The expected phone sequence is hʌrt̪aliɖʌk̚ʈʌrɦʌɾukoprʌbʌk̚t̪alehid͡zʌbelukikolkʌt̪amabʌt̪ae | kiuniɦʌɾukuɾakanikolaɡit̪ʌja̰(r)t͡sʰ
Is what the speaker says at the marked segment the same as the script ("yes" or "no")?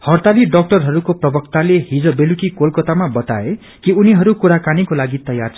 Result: yes